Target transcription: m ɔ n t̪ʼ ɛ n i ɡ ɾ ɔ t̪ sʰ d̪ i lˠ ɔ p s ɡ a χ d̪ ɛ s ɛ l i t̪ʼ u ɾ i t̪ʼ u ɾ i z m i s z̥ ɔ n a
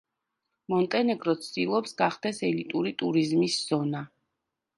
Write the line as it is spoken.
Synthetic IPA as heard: m ɔ n t̪ʼ ɛ n ɛ ɡ ɾ ɔ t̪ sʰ d̪ i lˠ ɔ p s ɡ a χ d̪ ɛ s ɛ l i t̪ʼ u ɾ i t̪ʼ u ɾ i z m i s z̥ ɔ n a